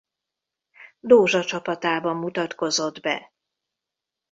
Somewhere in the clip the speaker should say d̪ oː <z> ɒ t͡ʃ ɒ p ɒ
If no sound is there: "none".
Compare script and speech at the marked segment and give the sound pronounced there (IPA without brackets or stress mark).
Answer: ʒ